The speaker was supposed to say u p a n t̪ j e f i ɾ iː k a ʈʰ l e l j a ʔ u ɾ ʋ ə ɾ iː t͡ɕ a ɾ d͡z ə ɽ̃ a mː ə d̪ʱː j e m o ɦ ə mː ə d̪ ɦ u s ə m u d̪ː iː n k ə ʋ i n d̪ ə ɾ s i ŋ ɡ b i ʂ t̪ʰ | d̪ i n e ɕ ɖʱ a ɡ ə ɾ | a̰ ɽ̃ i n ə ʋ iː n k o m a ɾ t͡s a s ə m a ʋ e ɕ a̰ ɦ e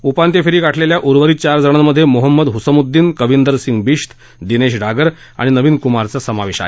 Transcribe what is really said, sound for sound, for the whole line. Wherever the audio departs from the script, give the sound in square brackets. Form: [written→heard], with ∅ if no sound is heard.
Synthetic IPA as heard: u p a n t̪ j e f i ɾ iː k a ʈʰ l e l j a ʔ u ɾ ʋ ə ɾ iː t͡ɕ a ɾ d͡z ə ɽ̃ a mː ə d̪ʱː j e m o ɦ ə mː ə d̪ ɦ u s ə m u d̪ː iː n k ə ʋ i n d̪ ə ɾ s i ŋ ɡ b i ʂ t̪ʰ | d̪ i n e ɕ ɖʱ a ɡ ə ɾ | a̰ ɽ̃ i n ə ʋ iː n k [o→u] m a ɾ t͡s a s ə m a ʋ e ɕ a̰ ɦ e